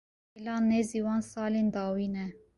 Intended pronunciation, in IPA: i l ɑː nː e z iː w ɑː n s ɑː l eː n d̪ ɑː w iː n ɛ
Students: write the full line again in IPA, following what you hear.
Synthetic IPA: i l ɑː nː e z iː w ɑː n s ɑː l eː n d̪ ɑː w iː n ɛ